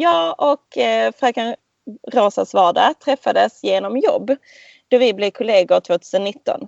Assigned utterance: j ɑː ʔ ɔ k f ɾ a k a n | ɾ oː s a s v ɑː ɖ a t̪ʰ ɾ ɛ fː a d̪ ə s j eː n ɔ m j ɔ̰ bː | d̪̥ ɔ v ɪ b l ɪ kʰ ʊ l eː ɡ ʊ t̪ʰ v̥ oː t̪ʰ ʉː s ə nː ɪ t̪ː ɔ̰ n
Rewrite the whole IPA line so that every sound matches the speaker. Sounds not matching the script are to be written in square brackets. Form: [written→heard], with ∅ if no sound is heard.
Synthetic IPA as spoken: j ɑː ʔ ɔ k f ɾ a k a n | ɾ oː s a s v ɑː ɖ a t̪ʰ ɾ ɛ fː a d̪ ə s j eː n ɔ m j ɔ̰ bː | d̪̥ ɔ v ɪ b l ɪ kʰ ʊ l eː ɡ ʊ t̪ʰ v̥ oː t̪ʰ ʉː s ə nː ɪ t̪ː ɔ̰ n